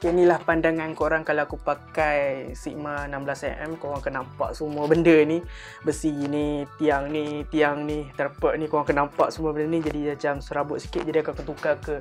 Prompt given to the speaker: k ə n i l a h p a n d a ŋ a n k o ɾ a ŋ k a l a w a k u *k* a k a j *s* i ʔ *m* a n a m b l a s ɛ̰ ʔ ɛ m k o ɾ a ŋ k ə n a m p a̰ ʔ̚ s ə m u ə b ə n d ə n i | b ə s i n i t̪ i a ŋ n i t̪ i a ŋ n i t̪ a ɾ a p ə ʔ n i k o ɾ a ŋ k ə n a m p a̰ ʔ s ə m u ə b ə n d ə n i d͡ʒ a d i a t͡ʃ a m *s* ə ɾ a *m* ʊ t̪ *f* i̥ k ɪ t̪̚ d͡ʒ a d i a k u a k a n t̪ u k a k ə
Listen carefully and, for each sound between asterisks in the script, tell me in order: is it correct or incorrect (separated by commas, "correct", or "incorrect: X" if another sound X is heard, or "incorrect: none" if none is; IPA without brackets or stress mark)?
incorrect: p, correct, correct, correct, incorrect: b, incorrect: s